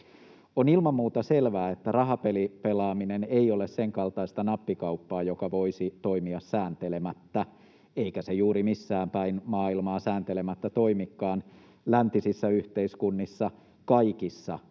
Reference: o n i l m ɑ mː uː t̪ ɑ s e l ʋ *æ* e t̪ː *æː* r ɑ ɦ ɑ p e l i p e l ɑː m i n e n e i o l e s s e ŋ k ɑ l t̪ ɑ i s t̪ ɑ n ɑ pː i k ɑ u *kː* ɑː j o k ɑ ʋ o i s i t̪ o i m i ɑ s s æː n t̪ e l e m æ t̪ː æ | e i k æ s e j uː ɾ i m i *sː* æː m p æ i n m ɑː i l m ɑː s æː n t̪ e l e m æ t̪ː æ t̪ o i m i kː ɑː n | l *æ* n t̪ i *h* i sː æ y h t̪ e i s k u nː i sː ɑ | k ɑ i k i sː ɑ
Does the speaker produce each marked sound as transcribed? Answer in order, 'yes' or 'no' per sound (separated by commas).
no, no, no, yes, yes, no